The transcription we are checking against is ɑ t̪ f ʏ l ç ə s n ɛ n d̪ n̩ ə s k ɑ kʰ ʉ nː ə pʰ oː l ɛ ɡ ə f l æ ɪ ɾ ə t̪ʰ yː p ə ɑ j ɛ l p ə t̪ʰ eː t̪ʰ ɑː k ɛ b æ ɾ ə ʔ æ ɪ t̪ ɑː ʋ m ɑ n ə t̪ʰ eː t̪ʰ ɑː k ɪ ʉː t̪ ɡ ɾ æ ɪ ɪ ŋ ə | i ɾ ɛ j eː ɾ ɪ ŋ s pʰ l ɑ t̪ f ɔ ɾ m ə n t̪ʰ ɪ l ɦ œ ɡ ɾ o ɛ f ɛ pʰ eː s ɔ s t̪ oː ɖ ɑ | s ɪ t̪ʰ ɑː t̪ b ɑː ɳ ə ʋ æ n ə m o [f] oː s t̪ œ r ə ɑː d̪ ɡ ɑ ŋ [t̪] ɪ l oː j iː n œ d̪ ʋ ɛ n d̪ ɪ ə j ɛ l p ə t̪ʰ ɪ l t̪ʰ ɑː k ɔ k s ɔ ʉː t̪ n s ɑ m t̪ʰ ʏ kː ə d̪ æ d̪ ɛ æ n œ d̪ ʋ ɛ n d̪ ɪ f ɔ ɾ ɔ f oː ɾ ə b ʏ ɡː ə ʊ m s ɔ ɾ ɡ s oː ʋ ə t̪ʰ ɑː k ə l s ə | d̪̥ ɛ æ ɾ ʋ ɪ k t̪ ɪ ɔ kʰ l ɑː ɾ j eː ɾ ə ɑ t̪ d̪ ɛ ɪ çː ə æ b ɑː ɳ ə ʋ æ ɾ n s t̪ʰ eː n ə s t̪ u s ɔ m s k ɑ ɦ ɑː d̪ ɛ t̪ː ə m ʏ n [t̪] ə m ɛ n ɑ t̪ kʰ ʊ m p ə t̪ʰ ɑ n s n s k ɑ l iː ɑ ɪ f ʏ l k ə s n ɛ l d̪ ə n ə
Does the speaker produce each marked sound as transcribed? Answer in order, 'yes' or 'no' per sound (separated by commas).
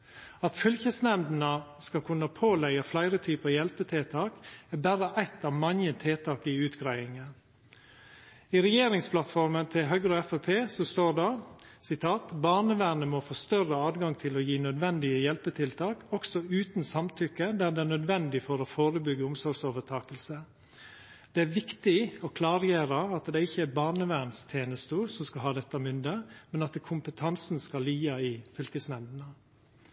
yes, no, no